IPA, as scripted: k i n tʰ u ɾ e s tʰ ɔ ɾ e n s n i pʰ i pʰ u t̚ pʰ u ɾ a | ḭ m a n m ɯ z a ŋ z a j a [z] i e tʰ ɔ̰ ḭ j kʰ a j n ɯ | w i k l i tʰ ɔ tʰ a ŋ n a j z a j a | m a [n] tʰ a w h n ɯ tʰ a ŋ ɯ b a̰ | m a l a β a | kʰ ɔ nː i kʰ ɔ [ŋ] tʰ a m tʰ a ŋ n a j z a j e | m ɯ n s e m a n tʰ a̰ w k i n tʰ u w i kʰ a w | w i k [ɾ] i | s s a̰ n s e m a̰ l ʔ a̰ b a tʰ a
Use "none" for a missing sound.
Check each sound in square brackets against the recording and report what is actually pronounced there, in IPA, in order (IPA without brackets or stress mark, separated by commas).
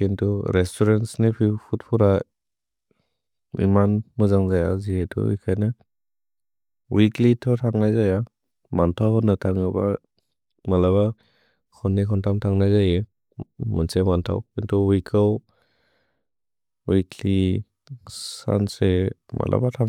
z, n, n, l